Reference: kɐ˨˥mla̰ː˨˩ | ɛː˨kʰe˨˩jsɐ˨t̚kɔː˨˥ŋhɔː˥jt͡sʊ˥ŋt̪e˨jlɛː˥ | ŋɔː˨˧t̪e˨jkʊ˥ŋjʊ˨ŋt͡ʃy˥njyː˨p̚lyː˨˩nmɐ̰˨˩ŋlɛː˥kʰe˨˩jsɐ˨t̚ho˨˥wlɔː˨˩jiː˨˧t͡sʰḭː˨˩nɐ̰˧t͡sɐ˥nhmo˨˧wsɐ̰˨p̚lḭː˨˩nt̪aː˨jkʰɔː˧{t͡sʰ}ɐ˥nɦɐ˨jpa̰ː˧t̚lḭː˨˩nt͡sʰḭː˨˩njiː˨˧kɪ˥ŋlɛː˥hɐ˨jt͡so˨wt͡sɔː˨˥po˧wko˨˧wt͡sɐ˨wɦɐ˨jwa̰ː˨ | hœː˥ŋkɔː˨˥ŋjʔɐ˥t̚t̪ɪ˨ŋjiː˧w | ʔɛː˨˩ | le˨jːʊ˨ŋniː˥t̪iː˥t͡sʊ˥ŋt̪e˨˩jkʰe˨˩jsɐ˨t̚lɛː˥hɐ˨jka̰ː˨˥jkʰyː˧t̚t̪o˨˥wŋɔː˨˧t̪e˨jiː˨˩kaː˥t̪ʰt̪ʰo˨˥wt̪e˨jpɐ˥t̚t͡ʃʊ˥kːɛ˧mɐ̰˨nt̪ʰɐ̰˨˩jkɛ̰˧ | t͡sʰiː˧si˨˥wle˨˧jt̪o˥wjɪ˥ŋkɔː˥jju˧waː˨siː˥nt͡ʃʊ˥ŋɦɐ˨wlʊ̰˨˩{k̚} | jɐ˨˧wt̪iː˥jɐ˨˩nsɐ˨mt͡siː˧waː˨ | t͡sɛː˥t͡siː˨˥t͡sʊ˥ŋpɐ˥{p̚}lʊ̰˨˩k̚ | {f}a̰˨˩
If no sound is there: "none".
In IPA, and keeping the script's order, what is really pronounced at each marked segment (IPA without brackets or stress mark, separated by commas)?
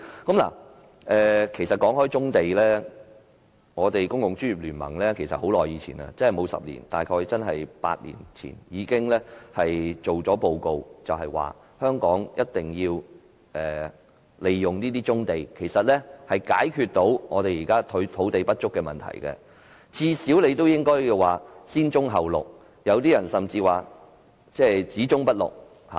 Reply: t͡s, k̚, t̚, h